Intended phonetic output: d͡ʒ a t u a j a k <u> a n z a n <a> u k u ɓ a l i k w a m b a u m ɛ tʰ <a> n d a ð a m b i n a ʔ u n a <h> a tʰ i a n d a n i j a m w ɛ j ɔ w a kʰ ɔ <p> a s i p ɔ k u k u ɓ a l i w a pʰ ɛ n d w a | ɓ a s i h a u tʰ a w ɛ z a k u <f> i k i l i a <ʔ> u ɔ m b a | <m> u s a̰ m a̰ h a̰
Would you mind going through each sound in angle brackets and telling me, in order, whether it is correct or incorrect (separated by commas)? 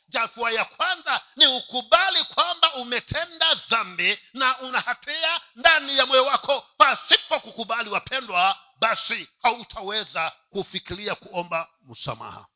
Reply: incorrect, incorrect, incorrect, correct, correct, correct, incorrect, correct